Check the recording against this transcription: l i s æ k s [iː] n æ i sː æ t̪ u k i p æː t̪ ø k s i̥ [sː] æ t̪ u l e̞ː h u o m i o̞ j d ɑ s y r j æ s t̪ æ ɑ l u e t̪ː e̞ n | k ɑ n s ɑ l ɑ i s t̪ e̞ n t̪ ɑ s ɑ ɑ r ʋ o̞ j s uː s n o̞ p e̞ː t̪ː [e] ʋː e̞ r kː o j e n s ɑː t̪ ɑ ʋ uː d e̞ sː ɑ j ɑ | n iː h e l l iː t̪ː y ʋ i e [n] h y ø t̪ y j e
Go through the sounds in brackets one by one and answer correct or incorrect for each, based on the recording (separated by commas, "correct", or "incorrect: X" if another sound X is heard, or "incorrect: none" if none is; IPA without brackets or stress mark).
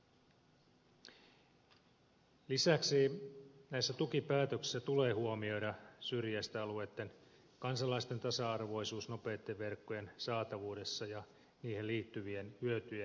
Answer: incorrect: i, correct, correct, correct